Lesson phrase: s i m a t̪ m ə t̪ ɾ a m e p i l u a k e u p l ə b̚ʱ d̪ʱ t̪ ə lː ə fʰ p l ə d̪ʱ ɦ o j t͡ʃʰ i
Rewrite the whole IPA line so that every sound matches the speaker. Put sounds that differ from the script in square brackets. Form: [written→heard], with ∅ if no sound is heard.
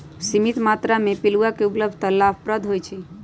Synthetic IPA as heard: s i m [a→i] t̪ m [ə→a] t̪ ɾ a m e p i l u a k e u p l ə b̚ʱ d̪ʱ t̪ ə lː [ə→a] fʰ p [l→ɾ] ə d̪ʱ ɦ o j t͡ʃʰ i